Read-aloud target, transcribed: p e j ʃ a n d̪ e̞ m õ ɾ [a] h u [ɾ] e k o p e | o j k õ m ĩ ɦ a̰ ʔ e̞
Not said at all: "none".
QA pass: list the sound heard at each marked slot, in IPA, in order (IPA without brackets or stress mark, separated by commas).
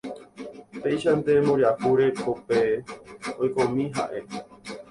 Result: a, ɾ